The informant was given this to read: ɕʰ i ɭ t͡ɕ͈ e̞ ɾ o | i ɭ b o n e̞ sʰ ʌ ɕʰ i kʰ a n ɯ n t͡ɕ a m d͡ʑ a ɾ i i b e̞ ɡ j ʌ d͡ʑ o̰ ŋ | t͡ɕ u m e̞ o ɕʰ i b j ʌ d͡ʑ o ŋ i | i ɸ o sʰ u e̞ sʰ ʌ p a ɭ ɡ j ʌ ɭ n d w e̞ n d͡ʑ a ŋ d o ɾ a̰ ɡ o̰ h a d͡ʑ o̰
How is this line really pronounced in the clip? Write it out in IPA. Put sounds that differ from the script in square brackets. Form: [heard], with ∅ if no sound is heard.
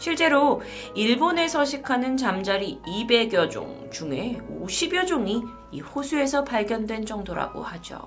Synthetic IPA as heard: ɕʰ i ɭ t͡ɕ͈ e̞ ɾ o | i ɭ b o n e̞ sʰ ʌ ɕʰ i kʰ a n ɯ n t͡ɕ a m d͡ʑ a ɾ i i b e̞ ɡ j ʌ d͡ʑ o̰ ŋ | t͡ɕ u [ŋ] e̞ o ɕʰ i b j ʌ d͡ʑ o ŋ i | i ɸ o sʰ u e̞ sʰ ʌ p a ɭ ɡ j ʌ [∅] n d w e̞ n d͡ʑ [ʌ] ŋ d o ɾ a̰ ɡ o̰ h a d͡ʑ o̰